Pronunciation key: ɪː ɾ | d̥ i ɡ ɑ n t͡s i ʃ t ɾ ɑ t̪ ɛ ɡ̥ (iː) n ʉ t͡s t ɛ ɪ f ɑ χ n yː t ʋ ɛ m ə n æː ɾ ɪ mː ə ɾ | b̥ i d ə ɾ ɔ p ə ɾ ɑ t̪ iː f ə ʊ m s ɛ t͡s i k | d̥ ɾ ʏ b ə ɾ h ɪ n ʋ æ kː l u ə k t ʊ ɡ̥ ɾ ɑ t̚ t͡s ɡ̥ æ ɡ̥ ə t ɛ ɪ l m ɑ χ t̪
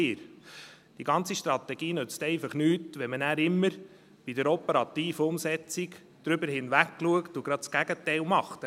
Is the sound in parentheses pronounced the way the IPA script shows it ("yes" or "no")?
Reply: yes